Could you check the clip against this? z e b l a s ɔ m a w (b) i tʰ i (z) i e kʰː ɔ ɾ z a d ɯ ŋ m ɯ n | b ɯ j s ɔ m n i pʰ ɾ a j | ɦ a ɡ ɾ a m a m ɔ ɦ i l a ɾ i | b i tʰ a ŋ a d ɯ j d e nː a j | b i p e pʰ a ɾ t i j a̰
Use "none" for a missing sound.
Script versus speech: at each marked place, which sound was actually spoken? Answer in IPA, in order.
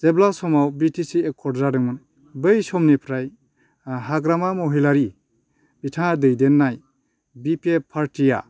b, s

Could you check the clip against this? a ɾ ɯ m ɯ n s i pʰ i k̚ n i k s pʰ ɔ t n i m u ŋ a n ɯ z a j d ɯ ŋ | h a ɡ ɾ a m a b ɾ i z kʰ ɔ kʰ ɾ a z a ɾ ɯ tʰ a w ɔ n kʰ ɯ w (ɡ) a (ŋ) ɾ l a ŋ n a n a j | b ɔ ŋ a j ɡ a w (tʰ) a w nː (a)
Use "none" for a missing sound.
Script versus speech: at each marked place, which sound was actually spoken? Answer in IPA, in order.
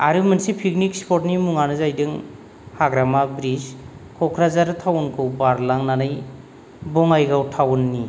b, none, tʰ, i

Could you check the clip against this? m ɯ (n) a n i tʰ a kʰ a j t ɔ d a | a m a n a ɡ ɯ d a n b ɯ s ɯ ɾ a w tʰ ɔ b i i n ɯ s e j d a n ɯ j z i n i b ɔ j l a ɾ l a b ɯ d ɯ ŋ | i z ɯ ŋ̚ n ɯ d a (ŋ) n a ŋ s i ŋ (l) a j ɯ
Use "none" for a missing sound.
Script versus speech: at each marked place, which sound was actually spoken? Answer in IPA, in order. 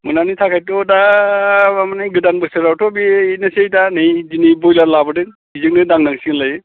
n, ŋ, l

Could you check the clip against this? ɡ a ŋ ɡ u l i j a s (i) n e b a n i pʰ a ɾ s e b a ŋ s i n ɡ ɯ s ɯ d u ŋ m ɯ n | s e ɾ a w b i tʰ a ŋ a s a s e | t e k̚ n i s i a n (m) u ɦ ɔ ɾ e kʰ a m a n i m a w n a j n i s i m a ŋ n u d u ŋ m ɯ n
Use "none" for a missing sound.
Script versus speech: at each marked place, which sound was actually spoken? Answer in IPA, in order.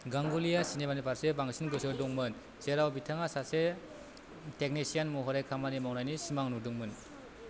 i, m

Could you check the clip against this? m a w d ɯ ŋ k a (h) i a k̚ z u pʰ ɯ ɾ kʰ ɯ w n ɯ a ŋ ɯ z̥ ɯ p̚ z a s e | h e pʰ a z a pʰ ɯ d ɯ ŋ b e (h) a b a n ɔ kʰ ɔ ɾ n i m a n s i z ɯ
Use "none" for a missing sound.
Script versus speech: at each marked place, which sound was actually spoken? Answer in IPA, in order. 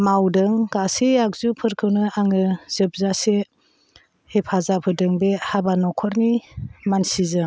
s, h

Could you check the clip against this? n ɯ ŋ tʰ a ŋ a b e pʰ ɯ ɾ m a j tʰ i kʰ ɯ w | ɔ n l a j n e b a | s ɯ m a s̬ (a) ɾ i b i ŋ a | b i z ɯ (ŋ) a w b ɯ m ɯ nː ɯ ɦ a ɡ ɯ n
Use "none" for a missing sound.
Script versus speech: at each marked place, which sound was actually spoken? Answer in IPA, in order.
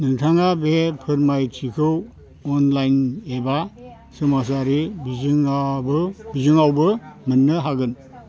a, ŋ

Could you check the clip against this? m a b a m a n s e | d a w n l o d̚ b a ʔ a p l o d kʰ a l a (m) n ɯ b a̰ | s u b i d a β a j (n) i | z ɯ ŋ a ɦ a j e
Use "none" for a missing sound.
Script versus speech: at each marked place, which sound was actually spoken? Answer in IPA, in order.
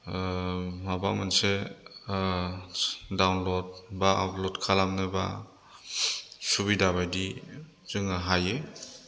m, d

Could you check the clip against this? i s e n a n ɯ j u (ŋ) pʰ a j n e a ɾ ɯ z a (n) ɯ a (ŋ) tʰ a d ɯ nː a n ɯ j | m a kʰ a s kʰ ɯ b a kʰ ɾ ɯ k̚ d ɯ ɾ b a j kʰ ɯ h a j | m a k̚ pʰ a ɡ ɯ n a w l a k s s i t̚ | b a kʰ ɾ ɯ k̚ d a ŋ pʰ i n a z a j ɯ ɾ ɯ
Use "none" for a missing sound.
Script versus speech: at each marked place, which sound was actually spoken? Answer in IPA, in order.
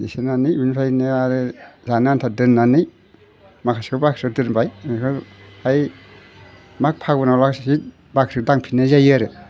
n, n, n

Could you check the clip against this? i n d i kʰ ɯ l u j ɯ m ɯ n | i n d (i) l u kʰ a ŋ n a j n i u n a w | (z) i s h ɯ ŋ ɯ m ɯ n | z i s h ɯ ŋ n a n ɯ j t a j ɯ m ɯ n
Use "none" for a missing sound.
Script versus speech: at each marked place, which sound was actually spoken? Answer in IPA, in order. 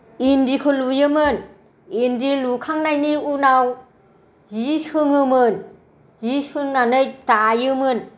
i, z

